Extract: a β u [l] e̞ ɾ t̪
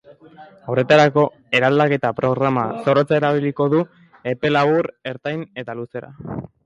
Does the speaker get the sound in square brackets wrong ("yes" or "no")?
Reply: yes